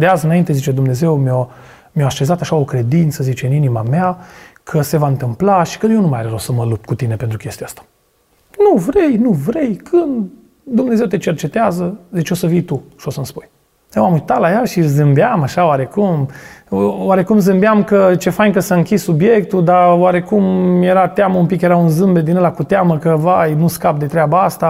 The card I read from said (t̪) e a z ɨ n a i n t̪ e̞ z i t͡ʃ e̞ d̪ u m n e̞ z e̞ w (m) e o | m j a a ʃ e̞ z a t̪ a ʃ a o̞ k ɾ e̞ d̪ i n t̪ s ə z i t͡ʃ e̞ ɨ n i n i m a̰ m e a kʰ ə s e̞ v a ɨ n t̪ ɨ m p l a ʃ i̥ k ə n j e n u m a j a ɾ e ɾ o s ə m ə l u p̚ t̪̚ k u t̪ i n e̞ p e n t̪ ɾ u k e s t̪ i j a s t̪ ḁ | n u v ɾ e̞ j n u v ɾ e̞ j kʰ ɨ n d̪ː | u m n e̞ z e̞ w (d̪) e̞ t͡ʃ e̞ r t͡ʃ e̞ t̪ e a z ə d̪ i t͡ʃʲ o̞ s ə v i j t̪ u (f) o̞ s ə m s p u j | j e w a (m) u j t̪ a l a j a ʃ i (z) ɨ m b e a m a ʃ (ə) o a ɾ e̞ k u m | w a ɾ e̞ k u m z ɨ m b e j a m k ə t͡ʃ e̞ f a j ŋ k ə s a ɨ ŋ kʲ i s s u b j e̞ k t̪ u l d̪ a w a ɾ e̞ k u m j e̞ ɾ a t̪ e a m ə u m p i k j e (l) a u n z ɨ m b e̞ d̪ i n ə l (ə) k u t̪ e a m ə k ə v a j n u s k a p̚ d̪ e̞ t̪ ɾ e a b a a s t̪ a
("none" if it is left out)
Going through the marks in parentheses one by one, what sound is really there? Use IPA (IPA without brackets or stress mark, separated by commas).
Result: d̪, m, t̪, ʃ, m, z, a, ɾ, a